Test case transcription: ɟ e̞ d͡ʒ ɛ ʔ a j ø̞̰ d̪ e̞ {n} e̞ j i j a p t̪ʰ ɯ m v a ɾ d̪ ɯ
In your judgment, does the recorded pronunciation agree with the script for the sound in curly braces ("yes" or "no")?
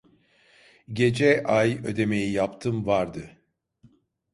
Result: no